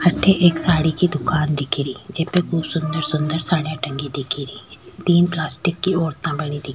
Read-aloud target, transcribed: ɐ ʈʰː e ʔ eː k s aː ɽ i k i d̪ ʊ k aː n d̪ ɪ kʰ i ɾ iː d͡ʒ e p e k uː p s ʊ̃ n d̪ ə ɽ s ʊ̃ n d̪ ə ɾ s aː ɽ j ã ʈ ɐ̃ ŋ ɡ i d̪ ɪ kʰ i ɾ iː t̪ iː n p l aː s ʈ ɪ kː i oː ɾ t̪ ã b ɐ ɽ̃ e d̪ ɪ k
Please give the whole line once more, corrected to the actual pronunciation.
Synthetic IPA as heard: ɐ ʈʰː e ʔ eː k s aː ɽ i k i d̪ ʊ k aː n d̪ ɪ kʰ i ɾ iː d͡ʒ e p e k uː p s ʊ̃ n d̪ ə ɾ s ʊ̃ n d̪ ə ɾ s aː ɽ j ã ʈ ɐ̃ ŋ ɡ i d̪ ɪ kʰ i ɾ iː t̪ iː n p l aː s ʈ ɪ kː i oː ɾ t̪ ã b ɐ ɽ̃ i d̪ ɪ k